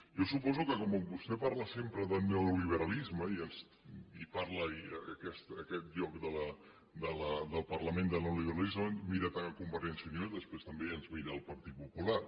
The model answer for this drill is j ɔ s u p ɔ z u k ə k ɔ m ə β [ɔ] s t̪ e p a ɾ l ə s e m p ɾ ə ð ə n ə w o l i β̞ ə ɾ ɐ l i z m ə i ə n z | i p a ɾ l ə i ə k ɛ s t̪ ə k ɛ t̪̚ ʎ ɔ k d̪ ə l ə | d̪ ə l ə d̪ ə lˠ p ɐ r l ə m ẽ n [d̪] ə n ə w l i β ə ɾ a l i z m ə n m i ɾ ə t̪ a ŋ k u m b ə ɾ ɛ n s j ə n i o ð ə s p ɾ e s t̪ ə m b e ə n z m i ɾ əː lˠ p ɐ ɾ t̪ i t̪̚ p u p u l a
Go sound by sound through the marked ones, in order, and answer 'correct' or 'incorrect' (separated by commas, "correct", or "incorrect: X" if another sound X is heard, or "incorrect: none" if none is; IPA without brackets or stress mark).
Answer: incorrect: u, correct